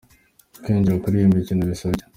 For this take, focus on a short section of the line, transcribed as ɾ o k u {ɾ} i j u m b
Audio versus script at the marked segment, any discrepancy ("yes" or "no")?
no